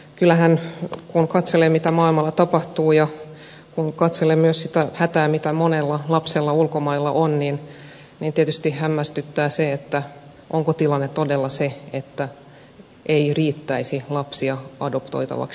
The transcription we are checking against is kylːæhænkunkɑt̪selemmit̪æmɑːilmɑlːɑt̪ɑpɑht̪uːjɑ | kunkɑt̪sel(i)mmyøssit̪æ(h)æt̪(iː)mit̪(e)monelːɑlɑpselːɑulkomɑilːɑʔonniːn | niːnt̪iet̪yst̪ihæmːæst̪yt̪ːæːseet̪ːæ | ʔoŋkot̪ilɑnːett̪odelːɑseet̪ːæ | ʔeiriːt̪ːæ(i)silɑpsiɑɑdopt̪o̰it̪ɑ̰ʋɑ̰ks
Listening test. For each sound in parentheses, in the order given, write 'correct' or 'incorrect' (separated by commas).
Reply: incorrect, correct, incorrect, incorrect, correct